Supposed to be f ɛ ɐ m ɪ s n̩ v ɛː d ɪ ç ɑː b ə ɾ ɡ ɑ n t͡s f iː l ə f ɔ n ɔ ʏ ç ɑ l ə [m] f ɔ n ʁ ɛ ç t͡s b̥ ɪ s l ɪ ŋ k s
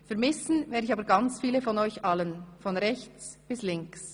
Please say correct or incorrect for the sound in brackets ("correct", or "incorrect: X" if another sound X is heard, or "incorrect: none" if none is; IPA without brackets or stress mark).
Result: incorrect: n